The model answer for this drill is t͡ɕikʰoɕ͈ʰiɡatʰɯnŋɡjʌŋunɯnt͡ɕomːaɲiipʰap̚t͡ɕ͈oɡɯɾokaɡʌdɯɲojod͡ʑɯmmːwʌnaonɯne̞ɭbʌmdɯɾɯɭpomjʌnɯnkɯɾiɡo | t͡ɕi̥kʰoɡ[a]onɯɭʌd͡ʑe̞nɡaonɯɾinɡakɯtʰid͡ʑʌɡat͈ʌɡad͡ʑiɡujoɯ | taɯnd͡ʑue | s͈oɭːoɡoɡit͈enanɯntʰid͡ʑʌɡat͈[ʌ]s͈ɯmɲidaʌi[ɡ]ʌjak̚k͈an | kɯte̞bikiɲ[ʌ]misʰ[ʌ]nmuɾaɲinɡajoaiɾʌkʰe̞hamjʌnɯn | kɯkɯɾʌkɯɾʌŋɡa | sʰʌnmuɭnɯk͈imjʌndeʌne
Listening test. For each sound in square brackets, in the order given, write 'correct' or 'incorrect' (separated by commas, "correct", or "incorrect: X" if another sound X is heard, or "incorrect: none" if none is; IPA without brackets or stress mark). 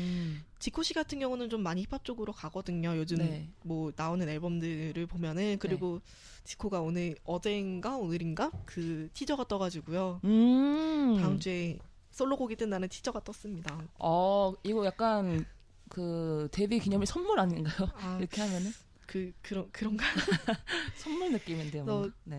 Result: correct, correct, correct, correct, correct